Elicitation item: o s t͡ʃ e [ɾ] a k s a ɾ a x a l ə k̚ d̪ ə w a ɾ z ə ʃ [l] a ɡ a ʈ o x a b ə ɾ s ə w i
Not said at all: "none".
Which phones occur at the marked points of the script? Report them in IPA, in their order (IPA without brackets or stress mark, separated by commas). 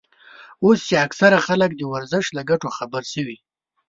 none, l